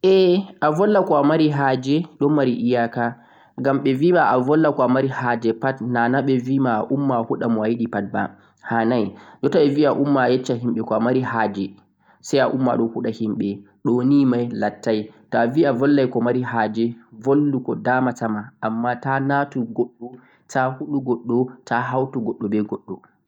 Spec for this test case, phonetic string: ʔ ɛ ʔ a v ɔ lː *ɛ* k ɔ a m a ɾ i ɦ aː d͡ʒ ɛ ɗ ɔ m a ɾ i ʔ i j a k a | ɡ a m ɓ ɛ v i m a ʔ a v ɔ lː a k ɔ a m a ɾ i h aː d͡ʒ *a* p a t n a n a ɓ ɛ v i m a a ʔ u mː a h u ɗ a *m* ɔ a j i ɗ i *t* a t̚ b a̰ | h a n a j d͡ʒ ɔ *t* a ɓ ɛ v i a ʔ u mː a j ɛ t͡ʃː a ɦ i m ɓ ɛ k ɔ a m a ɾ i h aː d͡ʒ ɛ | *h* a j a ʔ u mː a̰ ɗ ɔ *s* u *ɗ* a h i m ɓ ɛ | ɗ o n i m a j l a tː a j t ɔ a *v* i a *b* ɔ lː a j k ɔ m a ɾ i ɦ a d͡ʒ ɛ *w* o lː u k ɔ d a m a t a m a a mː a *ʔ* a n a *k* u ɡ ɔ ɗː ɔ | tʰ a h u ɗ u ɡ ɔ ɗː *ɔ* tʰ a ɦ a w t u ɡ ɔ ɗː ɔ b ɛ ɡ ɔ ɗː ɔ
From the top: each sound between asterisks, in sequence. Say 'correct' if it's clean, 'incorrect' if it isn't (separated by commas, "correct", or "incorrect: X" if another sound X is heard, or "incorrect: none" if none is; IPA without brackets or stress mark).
incorrect: a, incorrect: ɛ, correct, incorrect: p, correct, incorrect: s, incorrect: h, correct, correct, incorrect: v, incorrect: v, incorrect: t, incorrect: t, correct